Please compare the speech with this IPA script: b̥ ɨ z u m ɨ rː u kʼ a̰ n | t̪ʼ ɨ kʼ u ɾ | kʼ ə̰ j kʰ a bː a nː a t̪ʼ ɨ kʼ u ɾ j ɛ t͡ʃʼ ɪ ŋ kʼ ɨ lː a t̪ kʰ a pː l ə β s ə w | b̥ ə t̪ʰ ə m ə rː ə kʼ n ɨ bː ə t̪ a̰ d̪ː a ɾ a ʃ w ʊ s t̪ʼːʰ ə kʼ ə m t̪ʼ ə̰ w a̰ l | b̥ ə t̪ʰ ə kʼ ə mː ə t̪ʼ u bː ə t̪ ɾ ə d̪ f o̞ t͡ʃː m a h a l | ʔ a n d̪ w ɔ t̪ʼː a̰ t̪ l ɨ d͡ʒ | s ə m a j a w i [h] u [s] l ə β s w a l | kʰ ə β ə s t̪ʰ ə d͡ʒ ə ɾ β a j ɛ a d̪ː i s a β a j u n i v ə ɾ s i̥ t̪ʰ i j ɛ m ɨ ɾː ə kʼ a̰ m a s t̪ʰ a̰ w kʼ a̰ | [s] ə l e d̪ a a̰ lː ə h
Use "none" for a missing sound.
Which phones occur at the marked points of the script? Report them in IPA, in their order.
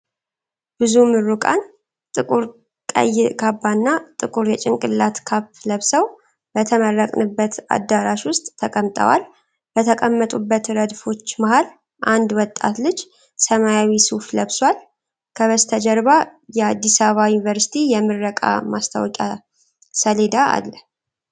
s, f, s

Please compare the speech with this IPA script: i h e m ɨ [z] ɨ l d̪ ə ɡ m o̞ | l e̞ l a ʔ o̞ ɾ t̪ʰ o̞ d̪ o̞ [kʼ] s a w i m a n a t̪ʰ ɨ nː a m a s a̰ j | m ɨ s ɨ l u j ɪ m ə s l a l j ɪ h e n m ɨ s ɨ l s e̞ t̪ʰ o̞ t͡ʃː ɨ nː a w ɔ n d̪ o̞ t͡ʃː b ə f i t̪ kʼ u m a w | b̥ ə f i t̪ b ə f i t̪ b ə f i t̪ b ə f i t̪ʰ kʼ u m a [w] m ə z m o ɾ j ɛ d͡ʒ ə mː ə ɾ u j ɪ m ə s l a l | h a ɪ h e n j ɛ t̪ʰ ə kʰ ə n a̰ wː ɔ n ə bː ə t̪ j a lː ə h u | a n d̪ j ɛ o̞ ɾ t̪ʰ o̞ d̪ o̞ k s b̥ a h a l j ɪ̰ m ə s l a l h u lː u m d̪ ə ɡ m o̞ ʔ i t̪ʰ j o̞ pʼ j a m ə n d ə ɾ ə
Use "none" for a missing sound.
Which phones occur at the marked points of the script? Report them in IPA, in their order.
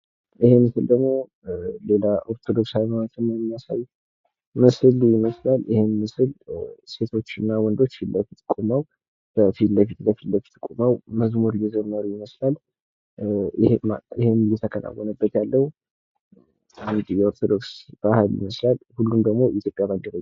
s, k, w

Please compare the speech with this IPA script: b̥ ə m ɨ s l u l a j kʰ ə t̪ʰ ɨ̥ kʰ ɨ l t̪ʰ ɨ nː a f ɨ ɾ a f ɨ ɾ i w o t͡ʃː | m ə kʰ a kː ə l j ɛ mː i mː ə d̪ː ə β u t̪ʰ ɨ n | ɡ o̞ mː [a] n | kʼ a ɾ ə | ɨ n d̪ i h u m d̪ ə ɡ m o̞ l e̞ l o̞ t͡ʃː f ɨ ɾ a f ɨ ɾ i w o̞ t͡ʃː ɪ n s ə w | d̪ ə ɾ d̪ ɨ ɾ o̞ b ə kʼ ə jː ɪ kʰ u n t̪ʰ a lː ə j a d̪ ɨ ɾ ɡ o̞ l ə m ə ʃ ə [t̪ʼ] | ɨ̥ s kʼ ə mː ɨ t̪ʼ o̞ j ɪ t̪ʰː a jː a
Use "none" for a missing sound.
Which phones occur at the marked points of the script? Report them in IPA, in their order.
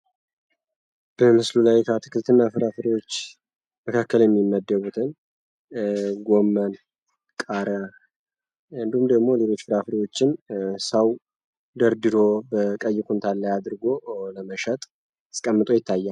ə, t̪ʼ

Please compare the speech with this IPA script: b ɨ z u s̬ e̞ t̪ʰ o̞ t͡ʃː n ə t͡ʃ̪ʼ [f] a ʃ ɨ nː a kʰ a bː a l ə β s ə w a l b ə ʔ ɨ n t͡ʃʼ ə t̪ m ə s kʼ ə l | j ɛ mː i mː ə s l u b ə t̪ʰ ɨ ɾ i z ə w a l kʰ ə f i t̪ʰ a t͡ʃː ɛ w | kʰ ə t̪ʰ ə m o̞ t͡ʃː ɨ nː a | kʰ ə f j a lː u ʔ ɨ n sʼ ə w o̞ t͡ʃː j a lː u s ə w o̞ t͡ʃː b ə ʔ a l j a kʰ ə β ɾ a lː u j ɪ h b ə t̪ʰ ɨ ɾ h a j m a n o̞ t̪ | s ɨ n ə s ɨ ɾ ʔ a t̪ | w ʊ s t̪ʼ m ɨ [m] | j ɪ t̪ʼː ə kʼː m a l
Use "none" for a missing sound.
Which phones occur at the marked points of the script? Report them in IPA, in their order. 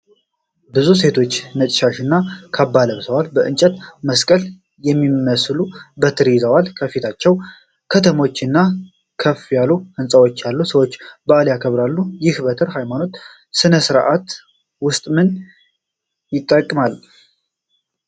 ʃ, n

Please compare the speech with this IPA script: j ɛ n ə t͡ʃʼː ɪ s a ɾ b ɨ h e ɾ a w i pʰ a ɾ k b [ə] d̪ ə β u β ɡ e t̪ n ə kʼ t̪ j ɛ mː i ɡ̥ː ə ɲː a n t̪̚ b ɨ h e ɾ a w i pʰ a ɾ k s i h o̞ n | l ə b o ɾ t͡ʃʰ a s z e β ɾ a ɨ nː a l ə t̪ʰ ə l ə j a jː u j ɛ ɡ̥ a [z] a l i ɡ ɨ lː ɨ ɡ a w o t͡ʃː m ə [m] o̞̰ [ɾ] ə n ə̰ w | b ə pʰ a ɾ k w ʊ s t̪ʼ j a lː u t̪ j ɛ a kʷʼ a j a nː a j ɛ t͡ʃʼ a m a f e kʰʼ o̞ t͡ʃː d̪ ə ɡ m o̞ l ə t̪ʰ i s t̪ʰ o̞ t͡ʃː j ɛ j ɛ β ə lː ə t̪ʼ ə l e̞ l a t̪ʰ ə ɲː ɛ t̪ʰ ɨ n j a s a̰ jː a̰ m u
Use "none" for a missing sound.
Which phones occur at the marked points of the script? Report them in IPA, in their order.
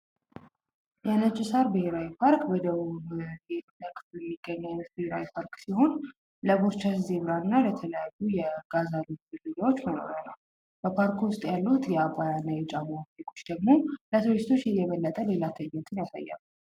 ə, z, n, ɾ

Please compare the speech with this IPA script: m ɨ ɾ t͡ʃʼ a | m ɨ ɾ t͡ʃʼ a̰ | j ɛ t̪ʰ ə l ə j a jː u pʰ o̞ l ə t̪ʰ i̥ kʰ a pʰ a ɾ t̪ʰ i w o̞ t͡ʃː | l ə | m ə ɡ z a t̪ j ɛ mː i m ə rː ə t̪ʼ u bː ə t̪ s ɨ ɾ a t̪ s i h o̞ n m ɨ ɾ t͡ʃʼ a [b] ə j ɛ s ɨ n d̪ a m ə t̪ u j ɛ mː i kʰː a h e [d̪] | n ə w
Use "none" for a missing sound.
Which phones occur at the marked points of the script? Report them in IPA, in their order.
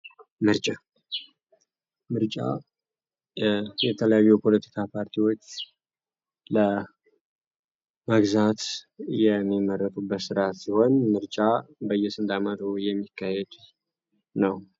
b, d̪

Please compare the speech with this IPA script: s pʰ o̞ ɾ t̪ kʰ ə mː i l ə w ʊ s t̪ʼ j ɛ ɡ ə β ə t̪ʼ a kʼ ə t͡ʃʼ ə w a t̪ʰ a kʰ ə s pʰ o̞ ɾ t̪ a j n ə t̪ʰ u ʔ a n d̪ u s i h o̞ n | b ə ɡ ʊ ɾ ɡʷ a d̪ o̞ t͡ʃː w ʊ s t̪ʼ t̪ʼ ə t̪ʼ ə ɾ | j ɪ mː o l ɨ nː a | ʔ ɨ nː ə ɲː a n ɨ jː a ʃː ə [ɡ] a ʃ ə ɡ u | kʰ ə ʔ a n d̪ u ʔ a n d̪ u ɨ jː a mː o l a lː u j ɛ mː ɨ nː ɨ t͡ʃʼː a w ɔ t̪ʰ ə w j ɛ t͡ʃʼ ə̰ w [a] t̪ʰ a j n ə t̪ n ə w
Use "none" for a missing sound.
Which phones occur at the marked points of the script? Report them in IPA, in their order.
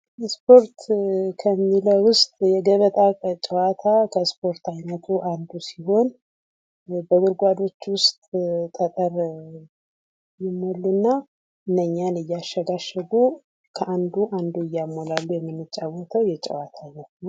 ɡ, a

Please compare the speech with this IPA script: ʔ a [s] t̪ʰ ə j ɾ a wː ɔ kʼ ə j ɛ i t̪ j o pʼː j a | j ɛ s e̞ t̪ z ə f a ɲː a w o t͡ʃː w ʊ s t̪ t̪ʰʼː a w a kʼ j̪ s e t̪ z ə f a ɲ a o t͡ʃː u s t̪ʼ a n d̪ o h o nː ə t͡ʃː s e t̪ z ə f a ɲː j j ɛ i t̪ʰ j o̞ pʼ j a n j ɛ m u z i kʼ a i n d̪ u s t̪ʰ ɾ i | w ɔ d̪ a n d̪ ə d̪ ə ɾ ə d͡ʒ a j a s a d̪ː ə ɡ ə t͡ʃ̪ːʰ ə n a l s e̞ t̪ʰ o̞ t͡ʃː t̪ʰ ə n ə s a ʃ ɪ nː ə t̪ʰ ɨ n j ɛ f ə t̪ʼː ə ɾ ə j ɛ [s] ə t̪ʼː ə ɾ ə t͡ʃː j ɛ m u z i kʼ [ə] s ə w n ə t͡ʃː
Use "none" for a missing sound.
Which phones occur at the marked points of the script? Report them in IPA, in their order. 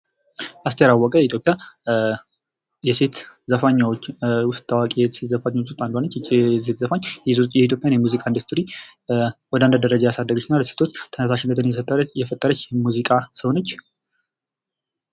s, f, a

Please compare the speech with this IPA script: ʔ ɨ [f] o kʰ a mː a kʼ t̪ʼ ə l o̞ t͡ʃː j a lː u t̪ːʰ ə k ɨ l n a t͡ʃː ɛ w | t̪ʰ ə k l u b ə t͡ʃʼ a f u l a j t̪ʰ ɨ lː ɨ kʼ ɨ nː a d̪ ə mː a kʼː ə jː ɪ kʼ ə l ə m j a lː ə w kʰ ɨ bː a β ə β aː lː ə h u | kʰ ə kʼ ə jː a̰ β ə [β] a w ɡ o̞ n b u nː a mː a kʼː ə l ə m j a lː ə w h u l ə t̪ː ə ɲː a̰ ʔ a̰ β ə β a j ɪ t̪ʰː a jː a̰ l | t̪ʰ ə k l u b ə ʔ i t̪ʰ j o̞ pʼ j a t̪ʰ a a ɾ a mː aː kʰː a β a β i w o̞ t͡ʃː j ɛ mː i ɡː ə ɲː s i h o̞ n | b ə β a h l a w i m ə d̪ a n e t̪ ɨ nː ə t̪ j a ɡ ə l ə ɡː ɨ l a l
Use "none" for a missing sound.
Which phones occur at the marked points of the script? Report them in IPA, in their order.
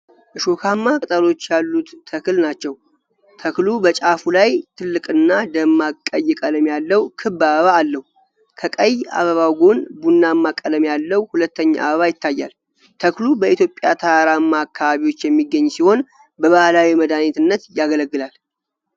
ʃ, β

